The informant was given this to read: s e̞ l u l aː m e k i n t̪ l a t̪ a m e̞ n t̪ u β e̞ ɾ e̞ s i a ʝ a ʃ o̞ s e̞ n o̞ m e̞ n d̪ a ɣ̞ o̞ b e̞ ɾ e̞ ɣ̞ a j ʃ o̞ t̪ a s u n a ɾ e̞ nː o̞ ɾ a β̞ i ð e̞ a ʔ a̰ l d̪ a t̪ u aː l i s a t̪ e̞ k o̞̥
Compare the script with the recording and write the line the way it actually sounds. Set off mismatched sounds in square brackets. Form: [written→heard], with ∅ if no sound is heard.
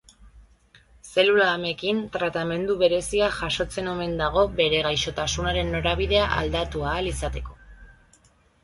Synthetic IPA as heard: s e̞ l u l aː m e k i n t̪ [l→ɾ] a t̪ a m e̞ n [t̪→d̪] u β e̞ ɾ e̞ s i a ʝ a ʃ o̞ [s→t͡s] e̞ n o̞ m e̞ n d̪ a ɣ̞ o̞ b e̞ ɾ e̞ ɣ̞ a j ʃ o̞ t̪ a s u n a ɾ e̞ nː o̞ ɾ a β̞ i ð e̞ a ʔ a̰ l d̪ a t̪ u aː l i s a t̪ e̞ k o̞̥